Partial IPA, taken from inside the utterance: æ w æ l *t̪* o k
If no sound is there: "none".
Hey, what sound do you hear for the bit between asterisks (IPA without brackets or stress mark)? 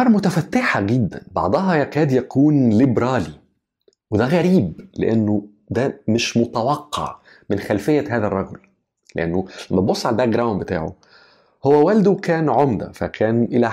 d̪